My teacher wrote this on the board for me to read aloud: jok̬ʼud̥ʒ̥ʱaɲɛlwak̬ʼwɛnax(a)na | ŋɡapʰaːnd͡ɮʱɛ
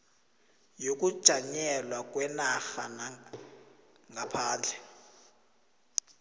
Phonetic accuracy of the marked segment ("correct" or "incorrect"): correct